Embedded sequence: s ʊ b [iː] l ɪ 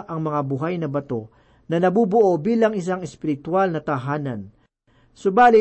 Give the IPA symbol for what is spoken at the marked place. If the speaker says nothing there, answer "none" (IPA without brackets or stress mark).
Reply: aː